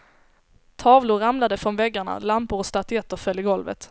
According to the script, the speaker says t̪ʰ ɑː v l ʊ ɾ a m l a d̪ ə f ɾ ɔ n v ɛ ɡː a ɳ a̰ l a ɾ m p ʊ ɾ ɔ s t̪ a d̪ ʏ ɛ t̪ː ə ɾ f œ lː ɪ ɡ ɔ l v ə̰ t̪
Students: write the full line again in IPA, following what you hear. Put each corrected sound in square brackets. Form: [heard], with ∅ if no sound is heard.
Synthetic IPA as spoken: t̪ʰ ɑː v l ʊ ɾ a m l a d̪ ə f ɾ ɔ n v ɛ ɡː a ɳ a̰ l a [∅] m p ʊ ɾ ɔ s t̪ a [t̪] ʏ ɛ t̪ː ə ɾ f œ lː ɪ ɡ ɔ l v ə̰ t̪